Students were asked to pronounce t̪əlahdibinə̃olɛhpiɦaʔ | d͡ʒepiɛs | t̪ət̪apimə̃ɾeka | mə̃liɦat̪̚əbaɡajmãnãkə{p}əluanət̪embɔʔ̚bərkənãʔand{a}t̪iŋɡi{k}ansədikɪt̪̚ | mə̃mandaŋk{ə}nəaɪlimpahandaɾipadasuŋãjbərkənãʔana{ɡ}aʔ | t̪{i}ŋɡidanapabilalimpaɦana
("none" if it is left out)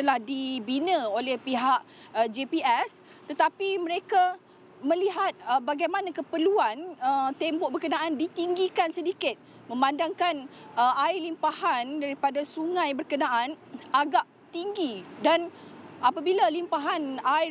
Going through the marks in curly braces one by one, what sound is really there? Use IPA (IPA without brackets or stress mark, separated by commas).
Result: p, i, k, a, ɡ, i